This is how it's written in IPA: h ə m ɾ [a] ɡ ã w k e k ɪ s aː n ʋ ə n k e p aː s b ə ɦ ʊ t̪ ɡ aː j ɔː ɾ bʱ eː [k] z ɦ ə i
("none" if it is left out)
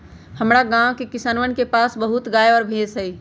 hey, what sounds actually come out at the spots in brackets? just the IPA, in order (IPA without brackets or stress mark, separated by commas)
a, none